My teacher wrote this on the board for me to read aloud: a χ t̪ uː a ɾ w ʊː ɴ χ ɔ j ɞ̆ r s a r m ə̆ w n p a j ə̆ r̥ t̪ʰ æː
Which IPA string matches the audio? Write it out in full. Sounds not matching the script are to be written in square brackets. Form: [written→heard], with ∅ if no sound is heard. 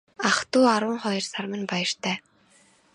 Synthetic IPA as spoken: a χ t̪ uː a ɾ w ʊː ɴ χ ɔ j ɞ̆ r s a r m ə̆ [w→∅] n p a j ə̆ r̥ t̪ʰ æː